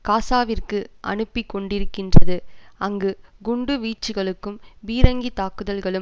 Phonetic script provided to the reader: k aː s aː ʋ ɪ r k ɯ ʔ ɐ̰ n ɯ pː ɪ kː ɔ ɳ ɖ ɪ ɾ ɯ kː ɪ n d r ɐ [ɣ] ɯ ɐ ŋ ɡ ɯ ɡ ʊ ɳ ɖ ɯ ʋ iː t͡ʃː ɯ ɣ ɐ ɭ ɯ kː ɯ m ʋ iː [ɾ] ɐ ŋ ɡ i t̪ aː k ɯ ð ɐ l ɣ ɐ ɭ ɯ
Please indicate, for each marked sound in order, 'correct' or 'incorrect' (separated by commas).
incorrect, correct